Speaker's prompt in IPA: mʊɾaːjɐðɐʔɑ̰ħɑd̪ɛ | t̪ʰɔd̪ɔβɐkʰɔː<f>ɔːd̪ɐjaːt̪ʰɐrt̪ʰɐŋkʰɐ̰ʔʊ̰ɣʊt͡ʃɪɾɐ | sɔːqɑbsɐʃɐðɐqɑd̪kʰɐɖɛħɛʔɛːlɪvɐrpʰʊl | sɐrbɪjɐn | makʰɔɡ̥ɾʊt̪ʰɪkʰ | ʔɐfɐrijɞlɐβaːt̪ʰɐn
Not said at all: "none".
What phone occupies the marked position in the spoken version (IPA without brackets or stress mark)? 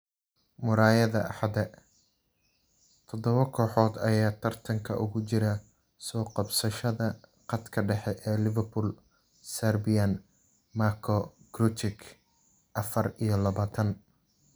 ħ